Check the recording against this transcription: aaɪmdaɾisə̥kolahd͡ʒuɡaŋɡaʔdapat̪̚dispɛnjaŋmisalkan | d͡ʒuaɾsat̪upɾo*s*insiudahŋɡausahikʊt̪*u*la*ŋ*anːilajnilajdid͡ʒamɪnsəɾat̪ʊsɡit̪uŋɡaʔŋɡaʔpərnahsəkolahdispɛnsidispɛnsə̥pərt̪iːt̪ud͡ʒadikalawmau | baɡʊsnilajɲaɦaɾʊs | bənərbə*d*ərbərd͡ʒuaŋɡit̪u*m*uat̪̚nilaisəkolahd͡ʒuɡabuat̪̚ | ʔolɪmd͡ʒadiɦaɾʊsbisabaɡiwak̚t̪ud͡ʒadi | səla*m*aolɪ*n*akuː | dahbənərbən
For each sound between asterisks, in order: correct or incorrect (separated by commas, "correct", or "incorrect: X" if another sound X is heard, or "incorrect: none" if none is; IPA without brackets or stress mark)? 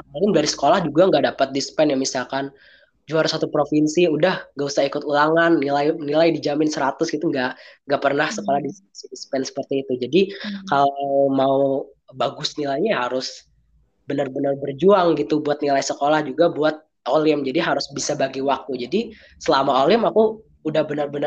incorrect: f, correct, correct, incorrect: n, incorrect: b, correct, incorrect: m